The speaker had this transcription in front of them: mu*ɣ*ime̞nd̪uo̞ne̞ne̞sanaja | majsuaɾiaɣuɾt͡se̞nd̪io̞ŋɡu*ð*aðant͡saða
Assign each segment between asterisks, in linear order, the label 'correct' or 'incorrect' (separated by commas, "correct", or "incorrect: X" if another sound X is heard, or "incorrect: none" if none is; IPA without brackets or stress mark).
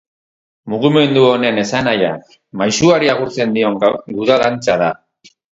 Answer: correct, correct